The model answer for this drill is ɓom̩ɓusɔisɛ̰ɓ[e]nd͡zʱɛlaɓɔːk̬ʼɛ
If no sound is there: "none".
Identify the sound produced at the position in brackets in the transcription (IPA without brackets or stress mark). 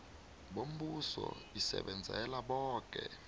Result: ɛ